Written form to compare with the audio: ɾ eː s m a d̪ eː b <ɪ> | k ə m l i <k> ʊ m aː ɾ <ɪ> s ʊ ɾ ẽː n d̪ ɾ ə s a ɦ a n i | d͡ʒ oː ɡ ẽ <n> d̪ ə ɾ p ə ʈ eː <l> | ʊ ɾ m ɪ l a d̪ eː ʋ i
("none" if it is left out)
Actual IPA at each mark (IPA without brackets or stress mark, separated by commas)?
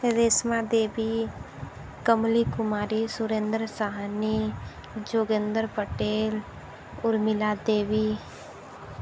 i, k, i, n, l